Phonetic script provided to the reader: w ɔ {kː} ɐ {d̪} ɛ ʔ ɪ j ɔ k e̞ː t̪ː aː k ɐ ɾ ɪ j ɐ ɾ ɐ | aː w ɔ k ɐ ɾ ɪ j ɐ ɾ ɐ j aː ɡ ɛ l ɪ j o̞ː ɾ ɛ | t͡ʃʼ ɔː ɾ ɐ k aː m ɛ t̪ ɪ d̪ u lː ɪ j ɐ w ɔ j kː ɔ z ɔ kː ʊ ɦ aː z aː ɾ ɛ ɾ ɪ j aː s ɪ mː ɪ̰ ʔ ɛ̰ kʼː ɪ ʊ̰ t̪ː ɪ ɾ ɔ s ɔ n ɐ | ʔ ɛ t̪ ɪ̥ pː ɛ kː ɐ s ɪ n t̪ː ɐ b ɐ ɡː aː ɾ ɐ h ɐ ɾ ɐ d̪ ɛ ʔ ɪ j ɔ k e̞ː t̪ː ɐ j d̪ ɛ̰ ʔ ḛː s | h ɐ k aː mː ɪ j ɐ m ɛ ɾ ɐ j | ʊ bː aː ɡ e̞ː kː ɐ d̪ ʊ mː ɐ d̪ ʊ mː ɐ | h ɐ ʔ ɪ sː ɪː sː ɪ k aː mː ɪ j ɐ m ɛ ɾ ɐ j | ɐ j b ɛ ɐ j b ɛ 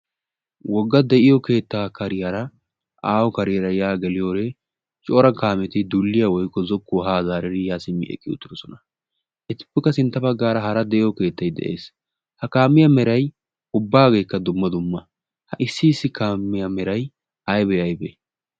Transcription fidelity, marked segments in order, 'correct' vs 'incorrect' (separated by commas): incorrect, correct